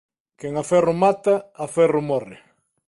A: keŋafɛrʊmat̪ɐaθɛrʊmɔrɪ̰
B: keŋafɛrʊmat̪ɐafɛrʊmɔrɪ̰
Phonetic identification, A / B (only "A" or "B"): B